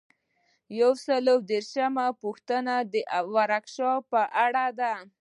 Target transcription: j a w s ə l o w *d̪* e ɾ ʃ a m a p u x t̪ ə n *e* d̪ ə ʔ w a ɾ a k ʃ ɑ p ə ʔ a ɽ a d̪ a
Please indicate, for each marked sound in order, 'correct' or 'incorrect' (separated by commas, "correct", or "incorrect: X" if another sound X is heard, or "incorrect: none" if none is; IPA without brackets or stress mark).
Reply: correct, incorrect: a